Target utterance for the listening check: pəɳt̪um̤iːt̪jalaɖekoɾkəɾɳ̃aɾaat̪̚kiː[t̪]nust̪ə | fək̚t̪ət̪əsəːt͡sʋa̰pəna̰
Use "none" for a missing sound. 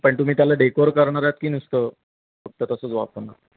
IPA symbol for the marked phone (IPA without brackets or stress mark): none